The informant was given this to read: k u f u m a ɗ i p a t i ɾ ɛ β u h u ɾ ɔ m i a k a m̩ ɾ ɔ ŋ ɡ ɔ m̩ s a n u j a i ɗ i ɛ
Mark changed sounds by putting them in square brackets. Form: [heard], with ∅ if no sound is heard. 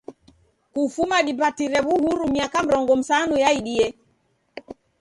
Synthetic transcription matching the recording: k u f u m a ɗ i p a t i ɾ ɛ β u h u ɾ [u] m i a k a m̩ ɾ ɔ ŋ ɡ ɔ m̩ s a n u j a i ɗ i ɛ

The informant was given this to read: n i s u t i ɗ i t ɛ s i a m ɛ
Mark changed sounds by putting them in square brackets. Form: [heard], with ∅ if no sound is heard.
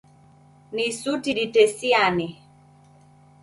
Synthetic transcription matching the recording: n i s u t i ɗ i t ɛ s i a [n] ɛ

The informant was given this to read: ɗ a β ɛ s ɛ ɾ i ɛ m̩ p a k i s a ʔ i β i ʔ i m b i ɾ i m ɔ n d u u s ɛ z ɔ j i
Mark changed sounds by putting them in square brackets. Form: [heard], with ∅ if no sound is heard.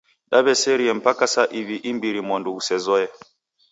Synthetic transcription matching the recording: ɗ a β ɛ s ɛ ɾ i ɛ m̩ p a k [a] s a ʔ i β i ʔ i m b i ɾ i m ɔ n d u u s ɛ z ɔ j [ɛ]

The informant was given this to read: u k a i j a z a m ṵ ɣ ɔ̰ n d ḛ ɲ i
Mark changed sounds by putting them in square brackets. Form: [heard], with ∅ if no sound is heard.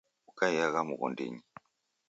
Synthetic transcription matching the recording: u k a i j a [ɣ] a m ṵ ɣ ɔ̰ n d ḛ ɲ i

